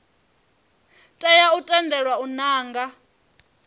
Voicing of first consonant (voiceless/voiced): voiceless